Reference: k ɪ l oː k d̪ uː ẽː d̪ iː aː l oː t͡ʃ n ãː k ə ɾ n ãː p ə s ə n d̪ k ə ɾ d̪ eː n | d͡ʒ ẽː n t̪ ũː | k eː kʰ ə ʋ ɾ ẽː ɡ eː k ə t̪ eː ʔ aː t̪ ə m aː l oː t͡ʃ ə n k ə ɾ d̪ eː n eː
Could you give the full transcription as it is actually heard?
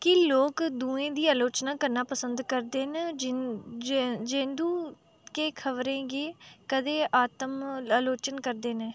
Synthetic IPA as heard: k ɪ l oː k d̪ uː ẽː d̪ iː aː l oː t͡ʃ n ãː k ə ɾ n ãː p ə s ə n d̪ k ə ɾ d̪ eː n | d͡ʒ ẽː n d̪ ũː | k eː kʰ ə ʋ ɾ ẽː ɡ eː k ə d̪ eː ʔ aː t̪ ə m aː l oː t͡ʃ ə n k ə ɾ d̪ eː n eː